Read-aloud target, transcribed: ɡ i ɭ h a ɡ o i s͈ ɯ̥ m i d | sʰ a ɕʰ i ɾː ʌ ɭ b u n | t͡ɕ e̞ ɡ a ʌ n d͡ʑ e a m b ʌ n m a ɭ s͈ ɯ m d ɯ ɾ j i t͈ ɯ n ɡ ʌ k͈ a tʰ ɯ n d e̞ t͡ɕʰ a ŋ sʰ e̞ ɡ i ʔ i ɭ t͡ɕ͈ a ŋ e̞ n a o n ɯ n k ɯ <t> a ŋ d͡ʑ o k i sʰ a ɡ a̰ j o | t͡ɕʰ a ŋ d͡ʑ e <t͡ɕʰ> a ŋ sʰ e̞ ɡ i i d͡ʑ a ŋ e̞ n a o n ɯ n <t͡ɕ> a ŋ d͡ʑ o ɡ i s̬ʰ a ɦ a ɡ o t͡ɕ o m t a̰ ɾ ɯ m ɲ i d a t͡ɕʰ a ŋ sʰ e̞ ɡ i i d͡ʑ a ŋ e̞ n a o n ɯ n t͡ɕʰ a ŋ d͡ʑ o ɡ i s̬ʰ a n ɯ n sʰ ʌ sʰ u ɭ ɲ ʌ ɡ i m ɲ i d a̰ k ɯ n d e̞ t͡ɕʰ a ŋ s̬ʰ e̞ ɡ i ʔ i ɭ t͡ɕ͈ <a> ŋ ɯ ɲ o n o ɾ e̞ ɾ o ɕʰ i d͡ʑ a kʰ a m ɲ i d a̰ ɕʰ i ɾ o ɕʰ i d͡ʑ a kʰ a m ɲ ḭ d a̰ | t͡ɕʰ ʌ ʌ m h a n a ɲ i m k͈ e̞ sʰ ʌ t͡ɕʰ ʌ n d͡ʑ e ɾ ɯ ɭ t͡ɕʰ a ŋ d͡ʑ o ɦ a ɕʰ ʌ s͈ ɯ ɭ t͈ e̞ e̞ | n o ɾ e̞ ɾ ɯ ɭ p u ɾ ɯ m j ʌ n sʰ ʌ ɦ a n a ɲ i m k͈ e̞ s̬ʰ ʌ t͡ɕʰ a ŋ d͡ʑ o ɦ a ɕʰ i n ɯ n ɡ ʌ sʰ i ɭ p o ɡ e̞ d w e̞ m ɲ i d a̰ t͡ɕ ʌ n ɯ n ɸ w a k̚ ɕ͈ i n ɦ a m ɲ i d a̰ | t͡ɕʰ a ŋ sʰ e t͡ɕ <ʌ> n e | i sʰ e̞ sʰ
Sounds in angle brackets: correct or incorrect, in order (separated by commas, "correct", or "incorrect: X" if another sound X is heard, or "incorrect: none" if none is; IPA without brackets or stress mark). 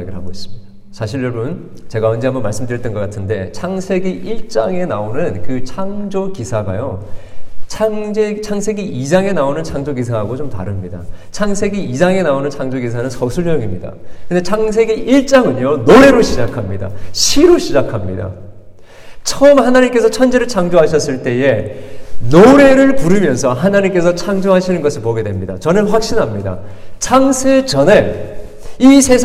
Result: incorrect: t͡ɕʰ, correct, incorrect: t͡ɕʰ, correct, correct